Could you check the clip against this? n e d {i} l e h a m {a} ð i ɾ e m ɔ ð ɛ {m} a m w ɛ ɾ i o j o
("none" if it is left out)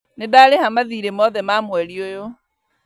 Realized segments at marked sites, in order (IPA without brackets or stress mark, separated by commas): a, a, m